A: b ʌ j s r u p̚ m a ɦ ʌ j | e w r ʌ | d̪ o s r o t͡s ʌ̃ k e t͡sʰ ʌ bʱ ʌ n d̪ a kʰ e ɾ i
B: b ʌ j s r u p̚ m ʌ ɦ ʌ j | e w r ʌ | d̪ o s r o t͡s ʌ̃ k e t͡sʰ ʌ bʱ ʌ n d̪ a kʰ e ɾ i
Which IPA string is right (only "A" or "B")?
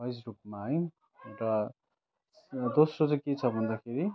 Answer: A